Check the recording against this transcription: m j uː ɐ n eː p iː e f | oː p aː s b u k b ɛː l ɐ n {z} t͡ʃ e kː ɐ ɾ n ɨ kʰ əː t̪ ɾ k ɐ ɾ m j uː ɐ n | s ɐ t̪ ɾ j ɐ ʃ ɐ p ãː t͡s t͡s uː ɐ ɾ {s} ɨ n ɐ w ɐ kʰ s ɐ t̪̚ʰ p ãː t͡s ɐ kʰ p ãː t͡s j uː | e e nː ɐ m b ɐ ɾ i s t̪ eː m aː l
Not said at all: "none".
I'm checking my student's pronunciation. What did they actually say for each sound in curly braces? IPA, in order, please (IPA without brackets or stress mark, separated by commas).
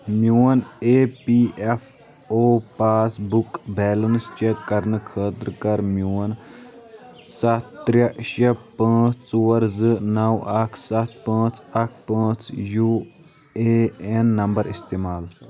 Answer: s, z